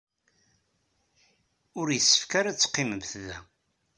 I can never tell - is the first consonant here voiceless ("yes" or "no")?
no